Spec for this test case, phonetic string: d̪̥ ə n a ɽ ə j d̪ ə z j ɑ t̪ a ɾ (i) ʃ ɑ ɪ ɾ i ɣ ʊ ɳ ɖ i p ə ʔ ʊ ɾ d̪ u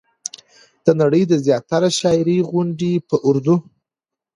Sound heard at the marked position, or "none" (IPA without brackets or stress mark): a